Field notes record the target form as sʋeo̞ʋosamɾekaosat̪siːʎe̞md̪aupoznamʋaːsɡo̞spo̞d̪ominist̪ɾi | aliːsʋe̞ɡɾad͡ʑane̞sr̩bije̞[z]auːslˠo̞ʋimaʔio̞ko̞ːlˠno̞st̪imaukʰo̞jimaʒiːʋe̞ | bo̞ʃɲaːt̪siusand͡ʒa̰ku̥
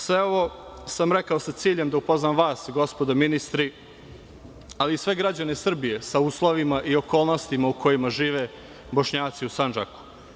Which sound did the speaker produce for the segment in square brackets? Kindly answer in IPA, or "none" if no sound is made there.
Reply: s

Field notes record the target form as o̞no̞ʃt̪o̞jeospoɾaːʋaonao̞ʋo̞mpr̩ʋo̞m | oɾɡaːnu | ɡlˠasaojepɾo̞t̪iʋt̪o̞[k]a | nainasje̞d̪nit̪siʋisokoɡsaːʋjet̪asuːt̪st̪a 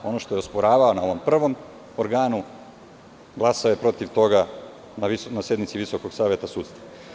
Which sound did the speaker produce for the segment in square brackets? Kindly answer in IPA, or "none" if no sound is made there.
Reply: ɡ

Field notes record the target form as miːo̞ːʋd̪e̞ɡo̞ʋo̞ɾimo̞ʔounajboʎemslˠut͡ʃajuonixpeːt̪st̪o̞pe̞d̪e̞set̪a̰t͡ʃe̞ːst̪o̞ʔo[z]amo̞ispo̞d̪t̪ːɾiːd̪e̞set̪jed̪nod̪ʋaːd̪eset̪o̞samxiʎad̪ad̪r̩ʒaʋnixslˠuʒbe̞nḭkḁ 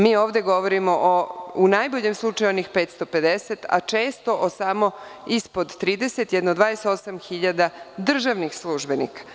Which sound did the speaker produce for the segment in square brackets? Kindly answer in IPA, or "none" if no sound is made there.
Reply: s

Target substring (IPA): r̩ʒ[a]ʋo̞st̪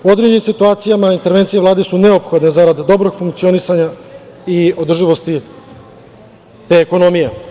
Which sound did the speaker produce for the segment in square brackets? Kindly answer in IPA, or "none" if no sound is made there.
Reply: i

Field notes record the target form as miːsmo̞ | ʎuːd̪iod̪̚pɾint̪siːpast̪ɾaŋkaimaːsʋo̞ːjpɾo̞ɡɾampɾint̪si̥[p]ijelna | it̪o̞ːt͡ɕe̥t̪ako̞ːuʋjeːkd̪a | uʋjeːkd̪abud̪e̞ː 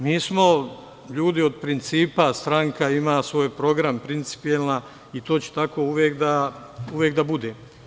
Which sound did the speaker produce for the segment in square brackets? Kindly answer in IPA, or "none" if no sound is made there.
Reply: p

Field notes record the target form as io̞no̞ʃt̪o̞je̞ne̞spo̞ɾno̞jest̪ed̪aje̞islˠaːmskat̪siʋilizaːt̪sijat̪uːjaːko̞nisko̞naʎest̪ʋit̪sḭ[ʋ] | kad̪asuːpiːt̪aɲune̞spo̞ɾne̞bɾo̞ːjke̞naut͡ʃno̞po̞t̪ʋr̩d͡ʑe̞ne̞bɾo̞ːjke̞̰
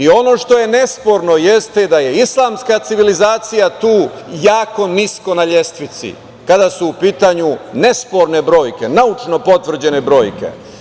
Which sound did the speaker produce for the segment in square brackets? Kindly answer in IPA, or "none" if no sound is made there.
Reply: none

